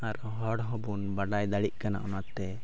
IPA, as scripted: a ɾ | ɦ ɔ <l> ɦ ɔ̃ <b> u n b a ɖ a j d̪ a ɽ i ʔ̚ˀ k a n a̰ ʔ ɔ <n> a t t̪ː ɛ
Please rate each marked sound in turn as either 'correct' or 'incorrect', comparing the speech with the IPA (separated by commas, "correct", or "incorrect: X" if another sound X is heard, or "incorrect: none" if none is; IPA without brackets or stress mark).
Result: incorrect: ɽ, correct, correct